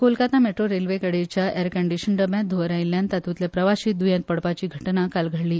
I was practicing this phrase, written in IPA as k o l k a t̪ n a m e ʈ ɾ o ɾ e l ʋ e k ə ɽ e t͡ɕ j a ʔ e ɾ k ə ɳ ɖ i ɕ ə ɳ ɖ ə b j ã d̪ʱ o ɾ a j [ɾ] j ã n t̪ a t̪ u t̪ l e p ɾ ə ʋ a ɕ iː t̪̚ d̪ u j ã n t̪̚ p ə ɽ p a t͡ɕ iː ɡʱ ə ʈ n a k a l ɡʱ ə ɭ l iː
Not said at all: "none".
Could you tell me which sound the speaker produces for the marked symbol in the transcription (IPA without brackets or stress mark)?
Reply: l